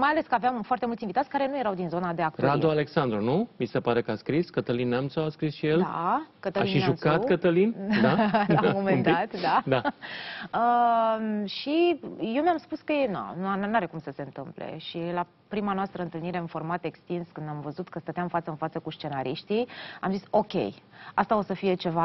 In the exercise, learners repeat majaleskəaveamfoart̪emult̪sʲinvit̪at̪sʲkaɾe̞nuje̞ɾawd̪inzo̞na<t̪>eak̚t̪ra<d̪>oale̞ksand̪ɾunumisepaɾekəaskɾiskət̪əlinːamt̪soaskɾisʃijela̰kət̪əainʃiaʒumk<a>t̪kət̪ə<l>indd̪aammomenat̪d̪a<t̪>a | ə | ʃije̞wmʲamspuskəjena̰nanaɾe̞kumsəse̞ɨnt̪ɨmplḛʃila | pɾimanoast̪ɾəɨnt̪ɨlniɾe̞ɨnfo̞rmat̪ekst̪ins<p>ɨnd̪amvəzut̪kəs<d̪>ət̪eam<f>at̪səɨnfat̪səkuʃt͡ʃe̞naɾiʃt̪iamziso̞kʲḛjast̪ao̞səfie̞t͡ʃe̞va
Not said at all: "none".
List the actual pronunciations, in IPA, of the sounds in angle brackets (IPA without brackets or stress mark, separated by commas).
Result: d̪, d̪, a, l, d̪, k, t̪, f